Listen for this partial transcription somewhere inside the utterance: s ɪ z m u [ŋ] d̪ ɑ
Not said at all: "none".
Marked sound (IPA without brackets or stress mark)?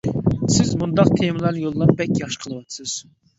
n